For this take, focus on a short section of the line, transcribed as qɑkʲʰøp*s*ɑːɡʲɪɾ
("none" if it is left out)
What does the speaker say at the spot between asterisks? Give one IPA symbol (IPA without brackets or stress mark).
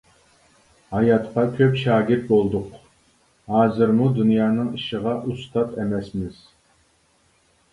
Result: ʃ